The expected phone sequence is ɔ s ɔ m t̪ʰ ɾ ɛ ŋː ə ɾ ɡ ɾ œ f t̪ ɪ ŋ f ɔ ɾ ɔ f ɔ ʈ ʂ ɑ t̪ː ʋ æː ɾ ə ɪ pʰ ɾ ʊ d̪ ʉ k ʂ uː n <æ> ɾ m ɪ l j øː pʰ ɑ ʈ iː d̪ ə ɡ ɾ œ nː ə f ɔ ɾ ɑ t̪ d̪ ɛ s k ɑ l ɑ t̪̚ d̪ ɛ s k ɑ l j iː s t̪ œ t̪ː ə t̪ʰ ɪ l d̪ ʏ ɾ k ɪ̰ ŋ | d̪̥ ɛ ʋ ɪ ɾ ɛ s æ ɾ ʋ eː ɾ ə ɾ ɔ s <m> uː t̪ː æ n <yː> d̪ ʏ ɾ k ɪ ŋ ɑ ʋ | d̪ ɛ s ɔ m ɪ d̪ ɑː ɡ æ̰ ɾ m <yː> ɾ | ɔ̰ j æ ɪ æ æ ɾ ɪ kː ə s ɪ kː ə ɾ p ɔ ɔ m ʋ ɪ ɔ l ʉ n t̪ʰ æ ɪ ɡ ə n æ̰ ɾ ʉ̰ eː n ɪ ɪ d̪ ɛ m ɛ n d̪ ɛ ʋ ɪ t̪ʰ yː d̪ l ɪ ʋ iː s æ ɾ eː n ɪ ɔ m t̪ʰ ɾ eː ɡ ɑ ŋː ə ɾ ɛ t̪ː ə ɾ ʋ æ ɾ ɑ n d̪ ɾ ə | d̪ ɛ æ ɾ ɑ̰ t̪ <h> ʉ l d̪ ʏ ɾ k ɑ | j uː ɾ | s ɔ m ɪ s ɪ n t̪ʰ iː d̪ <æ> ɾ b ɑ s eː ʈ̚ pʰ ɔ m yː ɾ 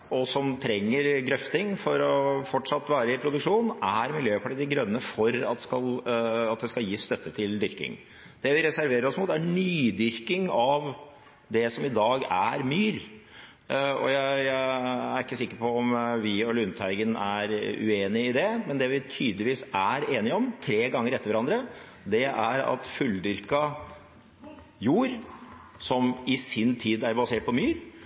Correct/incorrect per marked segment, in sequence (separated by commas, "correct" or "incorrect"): correct, correct, correct, correct, incorrect, correct